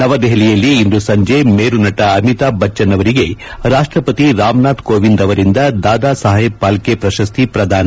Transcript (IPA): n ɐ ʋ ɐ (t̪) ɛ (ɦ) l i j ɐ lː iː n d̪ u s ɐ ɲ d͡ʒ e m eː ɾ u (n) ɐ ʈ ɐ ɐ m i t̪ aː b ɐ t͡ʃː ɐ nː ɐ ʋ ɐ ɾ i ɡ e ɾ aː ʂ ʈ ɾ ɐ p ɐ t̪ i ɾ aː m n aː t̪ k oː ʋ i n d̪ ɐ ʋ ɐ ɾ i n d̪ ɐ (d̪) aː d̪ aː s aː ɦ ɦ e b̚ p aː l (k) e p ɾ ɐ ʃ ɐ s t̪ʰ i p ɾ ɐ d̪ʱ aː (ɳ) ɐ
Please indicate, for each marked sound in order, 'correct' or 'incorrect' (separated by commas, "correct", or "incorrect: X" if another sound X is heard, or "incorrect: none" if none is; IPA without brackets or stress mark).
incorrect: d̪, correct, correct, correct, correct, incorrect: n